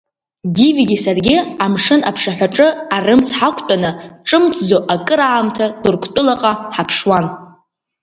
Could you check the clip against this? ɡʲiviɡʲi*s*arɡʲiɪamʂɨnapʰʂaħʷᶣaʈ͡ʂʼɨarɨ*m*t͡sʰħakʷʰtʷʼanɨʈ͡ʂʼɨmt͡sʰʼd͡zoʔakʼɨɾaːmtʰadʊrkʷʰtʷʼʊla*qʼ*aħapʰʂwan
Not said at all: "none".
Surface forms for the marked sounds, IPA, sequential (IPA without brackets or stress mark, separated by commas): s, m, qʼ